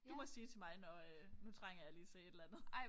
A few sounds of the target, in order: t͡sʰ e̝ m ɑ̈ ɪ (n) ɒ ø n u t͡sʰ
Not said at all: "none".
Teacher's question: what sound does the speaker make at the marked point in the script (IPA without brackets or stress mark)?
n